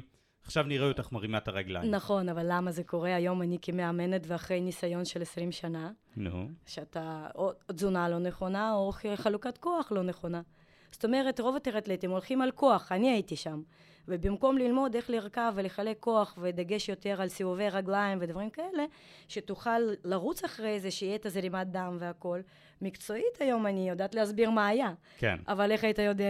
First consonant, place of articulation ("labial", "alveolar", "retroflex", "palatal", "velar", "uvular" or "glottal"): uvular